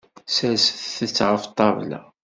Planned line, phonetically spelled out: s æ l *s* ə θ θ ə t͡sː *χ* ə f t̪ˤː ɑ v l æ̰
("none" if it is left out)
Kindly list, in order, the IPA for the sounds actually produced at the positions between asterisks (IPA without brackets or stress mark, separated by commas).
s, ʁ